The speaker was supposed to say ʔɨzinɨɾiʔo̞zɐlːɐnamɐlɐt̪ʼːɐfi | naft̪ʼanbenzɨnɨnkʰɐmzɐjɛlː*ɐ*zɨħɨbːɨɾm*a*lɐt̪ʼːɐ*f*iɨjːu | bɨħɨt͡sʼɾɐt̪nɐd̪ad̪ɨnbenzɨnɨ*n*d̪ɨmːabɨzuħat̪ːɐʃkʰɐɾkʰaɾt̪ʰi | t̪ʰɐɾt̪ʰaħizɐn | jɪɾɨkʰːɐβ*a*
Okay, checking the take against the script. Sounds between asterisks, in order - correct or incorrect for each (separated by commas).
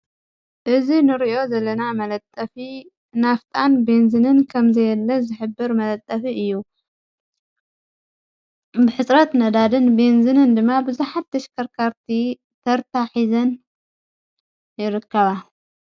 correct, incorrect, correct, correct, correct